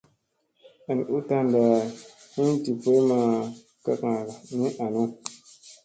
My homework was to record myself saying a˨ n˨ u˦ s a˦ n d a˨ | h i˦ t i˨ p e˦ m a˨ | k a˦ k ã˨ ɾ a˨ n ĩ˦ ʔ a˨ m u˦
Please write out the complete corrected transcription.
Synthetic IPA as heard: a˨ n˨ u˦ t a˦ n d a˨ | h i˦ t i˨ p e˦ m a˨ | k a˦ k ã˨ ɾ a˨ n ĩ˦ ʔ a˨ n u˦